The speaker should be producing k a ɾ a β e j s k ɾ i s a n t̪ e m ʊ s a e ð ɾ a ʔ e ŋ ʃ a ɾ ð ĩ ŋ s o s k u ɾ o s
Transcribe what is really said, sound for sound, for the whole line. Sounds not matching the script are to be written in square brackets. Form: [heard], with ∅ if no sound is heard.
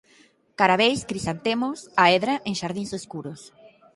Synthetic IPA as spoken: k a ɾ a β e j s k ɾ i s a n t̪ e m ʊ s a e ð ɾ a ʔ e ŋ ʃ a ɾ ð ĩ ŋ s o s k u ɾ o s